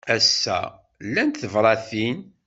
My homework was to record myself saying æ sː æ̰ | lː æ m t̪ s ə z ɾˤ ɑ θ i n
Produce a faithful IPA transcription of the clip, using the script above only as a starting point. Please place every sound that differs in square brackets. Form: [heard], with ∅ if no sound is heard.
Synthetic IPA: æ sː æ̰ | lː æ [n] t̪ [θ] ə [v] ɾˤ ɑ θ i n